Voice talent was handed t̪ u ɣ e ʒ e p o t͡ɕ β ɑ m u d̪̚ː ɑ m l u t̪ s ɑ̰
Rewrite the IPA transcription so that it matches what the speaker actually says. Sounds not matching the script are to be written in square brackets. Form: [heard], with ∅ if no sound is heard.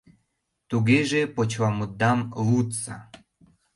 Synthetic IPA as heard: t̪ u ɣ e ʒ e p o t͡ɕ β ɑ m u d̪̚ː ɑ m l u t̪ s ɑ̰